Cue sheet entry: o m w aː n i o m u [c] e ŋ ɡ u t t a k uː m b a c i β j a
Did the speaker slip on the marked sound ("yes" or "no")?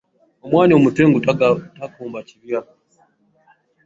yes